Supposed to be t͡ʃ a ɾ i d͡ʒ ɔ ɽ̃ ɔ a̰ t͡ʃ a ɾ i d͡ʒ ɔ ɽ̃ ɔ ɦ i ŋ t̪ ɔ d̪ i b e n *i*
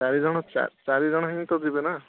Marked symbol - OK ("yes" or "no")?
no